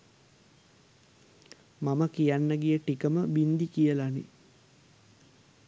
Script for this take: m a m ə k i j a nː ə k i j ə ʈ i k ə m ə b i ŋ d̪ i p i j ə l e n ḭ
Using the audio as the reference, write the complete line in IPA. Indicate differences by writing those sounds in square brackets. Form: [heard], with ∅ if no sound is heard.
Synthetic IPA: m a m ə k i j a nː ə [ɡ] i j ə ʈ i k ə m ə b i [n] d̪ i [k] i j ə l [a] n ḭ